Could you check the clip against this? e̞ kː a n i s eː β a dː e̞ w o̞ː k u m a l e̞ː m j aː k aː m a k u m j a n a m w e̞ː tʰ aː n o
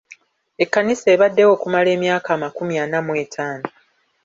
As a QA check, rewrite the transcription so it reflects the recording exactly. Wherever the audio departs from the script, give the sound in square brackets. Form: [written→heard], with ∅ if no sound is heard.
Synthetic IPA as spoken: e̞ kː a n i s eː β a dː e̞ w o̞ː k u m a l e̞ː m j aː k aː m a k u m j a n a m w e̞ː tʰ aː n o

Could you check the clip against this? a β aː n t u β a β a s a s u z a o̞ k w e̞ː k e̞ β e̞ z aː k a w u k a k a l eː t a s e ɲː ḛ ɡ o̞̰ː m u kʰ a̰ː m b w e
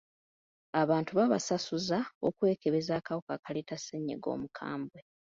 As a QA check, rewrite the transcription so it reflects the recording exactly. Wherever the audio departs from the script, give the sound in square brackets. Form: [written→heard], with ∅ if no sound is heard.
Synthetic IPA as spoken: a β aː n t u β a β a s a s u z a o̞ k w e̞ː k e̞ β e̞ z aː k a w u k a k a l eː t a s e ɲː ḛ ɡ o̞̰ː m u kʰ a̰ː m b w e

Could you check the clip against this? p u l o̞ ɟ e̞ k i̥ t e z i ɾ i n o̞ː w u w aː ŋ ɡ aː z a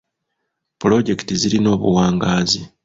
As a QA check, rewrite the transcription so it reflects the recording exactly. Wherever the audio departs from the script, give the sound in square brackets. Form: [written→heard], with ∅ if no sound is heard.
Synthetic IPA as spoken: p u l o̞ ɟ e̞ k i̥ t [e→i] z i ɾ i n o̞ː [w→β] u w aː ŋ ɡ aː z [a→i]

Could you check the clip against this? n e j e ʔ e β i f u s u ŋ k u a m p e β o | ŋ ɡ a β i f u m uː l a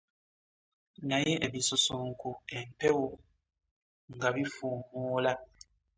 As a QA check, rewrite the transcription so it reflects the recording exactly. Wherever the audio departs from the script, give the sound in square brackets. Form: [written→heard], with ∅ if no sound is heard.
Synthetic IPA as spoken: n [e→a] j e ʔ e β i [f→s] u s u ŋ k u [a→e] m p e [β→w] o | ŋ ɡ a β i f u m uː l a

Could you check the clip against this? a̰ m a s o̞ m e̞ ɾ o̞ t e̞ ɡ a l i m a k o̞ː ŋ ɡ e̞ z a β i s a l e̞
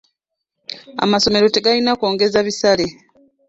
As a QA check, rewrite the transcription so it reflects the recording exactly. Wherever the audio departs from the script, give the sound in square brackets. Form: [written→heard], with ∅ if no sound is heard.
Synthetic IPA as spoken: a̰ m a s o̞ m e̞ ɾ o̞ t e̞ ɡ a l i [m→n] a k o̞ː ŋ ɡ e̞ z a β i s a l e̞

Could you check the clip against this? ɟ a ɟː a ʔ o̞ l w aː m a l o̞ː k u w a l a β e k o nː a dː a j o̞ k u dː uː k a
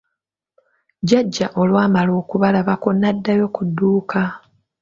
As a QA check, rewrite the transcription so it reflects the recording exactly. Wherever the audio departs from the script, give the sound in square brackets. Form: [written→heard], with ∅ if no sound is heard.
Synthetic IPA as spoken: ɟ a ɟː a ʔ o̞ l w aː m a l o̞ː k u [w→β] a l a β [e→a] k o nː a dː a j o̞ k u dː uː k a

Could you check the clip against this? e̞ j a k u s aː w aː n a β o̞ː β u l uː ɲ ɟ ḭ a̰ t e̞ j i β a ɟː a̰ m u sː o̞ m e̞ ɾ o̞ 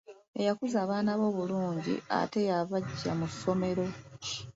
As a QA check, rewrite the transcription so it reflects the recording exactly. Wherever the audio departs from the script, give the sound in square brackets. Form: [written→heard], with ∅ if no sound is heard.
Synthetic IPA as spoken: e̞ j a k u [s→z] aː [w→β] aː n a β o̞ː β u l uː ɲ ɟ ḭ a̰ t e̞ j [i→a] β a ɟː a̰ m u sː o̞ m e̞ ɾ o̞

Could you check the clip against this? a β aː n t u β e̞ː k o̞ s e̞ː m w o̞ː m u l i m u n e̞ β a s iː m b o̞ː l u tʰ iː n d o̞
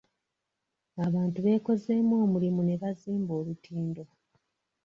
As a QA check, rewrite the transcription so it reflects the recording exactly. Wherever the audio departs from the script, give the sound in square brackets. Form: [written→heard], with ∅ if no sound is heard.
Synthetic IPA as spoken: a β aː n t u β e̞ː k o̞ [s→z] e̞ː m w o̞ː m u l i m u n e̞ β a [s→z] iː m b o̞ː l u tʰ iː n d o̞

